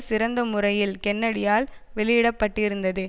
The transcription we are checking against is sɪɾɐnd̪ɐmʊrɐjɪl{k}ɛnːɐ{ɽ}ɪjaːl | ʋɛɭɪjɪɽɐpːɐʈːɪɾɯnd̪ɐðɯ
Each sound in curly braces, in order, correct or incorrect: correct, correct

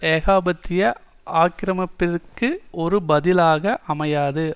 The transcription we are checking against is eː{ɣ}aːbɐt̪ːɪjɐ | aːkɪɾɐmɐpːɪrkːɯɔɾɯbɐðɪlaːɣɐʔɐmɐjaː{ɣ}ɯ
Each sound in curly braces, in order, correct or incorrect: correct, incorrect

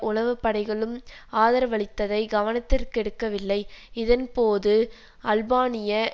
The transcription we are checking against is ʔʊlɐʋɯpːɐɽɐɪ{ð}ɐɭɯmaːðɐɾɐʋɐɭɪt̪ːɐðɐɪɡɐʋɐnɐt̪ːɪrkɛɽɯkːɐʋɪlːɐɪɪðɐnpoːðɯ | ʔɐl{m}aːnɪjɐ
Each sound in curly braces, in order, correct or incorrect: incorrect, incorrect

